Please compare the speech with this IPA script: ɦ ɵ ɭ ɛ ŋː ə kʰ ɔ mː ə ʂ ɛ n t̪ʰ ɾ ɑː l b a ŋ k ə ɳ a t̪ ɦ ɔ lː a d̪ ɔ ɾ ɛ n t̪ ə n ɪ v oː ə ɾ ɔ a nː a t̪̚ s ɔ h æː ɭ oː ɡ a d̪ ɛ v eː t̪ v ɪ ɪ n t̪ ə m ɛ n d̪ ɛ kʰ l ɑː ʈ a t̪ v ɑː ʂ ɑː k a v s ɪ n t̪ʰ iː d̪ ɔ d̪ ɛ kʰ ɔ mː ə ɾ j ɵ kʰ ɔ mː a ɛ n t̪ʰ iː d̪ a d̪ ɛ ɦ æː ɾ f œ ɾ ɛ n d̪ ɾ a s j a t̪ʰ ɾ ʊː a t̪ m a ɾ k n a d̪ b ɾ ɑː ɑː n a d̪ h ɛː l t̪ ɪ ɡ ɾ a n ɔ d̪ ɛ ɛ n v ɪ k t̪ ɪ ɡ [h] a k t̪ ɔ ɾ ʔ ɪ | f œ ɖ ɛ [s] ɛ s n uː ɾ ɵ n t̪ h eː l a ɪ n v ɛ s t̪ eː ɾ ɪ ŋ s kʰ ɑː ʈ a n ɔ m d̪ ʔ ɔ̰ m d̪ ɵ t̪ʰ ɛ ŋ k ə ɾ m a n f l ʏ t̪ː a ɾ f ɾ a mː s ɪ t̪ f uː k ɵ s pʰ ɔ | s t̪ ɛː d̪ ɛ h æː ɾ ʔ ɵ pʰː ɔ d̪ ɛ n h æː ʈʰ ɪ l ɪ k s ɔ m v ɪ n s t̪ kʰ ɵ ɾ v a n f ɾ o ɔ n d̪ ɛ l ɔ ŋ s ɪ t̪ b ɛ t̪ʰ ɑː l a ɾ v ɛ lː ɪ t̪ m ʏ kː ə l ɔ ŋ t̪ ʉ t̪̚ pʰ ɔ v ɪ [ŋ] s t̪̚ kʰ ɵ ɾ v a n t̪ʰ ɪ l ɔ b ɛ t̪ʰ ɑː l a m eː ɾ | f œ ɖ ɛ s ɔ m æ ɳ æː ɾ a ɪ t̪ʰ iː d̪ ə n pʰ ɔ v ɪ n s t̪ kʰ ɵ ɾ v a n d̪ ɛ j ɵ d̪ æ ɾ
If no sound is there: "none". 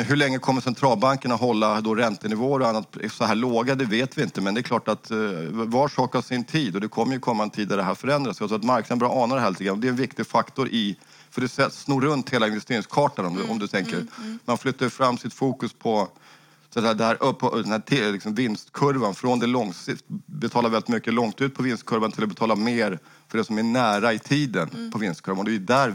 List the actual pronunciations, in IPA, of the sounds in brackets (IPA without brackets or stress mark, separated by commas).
f, s, n